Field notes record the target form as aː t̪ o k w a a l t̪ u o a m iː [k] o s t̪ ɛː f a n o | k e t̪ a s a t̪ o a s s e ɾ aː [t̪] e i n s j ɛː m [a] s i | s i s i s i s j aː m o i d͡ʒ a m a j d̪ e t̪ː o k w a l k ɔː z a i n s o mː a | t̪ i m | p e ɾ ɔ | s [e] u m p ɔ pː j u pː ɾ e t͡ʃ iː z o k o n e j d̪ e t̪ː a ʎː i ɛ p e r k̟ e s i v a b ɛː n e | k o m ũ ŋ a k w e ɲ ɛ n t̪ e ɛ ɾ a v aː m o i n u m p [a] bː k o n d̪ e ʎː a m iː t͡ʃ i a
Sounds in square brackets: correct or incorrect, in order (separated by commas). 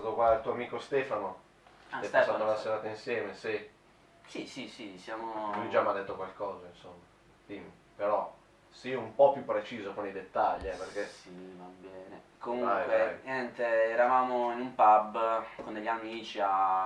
correct, correct, incorrect, incorrect, correct